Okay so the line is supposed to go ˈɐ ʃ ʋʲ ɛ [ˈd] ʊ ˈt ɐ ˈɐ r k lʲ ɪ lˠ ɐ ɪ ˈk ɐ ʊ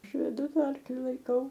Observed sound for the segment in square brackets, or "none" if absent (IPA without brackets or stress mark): d